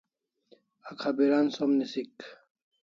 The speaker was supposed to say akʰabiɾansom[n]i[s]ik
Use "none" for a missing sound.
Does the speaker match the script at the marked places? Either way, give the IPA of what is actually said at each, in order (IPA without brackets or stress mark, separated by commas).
n, s